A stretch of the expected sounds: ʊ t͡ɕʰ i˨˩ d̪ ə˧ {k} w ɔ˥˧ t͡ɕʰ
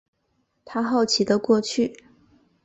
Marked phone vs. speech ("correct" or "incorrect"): correct